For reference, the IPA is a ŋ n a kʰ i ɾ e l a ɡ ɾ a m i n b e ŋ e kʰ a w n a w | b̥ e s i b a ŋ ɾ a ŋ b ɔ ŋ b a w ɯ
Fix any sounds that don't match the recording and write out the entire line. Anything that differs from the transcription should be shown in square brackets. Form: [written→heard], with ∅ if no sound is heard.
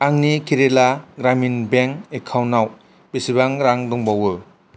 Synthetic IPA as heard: a ŋ n [a→i] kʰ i ɾ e l a ɡ ɾ a m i n b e ŋ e kʰ a w n a w | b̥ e s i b a ŋ ɾ a ŋ [b→d] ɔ ŋ b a w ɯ